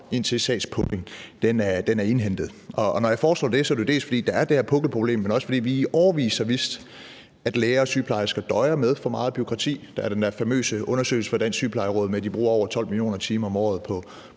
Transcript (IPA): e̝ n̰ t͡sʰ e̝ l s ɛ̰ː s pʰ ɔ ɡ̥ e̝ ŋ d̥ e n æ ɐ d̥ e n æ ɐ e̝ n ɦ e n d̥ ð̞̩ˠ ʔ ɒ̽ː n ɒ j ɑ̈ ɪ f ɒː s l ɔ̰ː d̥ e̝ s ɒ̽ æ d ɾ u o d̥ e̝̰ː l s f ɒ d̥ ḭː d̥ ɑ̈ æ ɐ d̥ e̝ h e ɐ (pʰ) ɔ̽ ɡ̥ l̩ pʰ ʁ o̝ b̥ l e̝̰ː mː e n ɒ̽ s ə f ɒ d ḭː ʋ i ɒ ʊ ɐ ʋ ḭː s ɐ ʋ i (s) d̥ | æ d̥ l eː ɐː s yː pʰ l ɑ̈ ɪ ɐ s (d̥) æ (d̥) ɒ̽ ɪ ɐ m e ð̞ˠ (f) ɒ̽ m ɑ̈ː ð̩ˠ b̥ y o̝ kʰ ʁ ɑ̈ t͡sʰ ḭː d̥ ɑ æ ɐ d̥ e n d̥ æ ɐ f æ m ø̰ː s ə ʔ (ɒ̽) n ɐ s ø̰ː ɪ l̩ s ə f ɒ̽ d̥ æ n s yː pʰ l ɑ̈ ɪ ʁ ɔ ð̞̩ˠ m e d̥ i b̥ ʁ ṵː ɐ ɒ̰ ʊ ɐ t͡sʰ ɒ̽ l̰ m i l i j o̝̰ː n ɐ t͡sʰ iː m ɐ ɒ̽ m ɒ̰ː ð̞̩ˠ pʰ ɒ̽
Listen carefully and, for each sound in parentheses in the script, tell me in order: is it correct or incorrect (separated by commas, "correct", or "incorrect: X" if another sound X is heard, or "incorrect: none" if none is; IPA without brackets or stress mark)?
correct, correct, incorrect: ɡ̥, correct, correct, incorrect: ɔ̽